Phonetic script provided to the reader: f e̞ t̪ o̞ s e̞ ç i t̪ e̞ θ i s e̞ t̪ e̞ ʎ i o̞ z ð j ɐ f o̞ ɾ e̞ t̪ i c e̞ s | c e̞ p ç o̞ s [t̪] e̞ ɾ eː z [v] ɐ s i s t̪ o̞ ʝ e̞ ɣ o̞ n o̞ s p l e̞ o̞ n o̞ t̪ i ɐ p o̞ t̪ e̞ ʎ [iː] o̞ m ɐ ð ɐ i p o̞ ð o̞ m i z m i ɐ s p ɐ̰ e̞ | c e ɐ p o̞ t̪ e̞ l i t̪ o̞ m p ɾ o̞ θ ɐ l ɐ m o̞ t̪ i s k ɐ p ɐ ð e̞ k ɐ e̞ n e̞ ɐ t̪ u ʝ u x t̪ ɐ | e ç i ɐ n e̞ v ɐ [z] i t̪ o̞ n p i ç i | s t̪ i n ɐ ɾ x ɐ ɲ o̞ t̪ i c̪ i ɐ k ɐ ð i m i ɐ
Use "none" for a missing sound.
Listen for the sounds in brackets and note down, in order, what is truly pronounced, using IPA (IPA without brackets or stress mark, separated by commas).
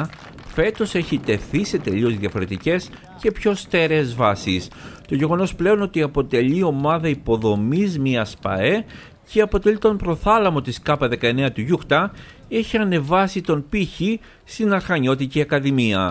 t̪, v, i, s